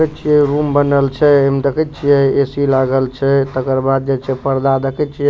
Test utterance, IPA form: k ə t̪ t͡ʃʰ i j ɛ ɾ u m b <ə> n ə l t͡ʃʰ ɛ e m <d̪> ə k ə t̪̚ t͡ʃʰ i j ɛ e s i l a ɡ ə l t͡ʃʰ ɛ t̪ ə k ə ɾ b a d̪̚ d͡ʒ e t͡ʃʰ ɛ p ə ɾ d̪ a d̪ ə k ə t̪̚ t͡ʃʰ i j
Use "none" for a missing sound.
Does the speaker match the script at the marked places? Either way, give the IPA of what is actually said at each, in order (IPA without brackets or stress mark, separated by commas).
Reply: ə, d̪